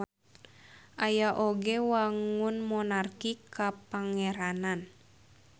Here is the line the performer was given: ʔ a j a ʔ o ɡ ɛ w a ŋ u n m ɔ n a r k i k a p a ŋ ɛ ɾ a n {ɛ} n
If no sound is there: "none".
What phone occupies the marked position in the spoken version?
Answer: a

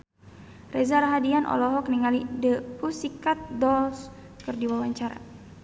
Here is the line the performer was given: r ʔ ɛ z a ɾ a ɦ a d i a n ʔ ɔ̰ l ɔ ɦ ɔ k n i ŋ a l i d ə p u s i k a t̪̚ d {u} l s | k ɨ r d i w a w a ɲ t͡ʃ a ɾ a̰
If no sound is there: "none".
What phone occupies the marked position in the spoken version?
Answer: ɔ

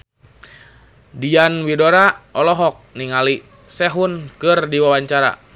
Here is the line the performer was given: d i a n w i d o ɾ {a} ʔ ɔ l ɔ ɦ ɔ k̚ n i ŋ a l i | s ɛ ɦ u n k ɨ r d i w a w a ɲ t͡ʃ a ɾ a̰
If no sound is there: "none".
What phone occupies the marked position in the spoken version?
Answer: a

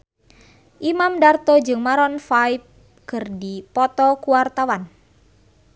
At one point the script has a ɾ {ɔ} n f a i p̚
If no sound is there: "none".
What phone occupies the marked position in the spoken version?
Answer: ɔ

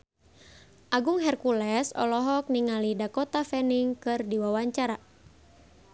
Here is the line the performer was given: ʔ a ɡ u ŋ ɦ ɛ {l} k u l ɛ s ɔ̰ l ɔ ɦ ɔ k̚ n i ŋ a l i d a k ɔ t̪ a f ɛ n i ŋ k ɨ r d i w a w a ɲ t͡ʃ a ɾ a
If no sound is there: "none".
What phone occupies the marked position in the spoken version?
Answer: r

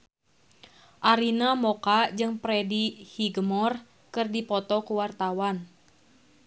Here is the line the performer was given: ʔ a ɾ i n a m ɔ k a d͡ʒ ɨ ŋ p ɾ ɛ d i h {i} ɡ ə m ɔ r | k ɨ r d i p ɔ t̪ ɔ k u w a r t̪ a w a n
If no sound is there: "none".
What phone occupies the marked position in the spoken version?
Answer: i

